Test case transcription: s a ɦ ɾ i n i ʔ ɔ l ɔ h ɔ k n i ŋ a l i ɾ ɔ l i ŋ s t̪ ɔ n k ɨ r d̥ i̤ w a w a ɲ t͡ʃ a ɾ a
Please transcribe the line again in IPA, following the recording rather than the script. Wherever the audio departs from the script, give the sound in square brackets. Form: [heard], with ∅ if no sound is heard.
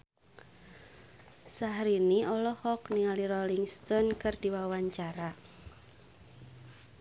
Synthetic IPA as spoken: s a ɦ ɾ i n i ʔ ɔ l ɔ h ɔ k n i ŋ a l i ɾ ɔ l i ŋ s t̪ ɔ n k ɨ r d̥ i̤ w a w a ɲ t͡ʃ a ɾ a